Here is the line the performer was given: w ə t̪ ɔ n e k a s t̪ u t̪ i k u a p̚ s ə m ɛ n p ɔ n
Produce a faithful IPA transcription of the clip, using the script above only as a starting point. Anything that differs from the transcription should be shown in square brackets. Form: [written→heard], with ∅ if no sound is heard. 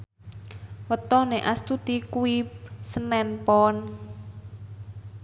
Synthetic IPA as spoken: w ə t̪ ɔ n e [k→ʔ] a s t̪ u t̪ i k u [a→i] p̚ s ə [m→n] ɛ n p ɔ n